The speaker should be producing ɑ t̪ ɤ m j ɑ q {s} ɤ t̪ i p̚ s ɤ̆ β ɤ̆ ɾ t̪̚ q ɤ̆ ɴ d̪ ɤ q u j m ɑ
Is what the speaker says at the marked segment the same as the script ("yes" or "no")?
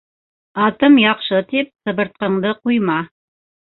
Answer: no